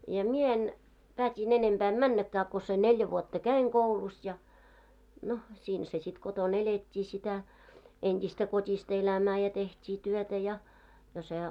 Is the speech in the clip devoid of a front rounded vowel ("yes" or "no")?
no